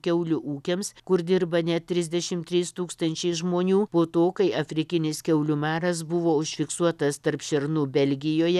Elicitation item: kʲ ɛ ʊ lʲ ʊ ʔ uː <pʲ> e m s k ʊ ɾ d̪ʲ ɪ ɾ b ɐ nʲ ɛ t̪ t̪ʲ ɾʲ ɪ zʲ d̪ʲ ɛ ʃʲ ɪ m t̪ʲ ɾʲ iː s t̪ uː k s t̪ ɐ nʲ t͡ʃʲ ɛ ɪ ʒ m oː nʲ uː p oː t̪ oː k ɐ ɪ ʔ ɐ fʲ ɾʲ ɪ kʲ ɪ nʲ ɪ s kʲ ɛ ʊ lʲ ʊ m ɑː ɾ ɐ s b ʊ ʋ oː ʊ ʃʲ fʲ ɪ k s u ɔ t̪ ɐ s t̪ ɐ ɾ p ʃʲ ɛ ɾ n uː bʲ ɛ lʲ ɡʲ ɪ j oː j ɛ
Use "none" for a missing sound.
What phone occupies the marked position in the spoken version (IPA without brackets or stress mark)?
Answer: kʲ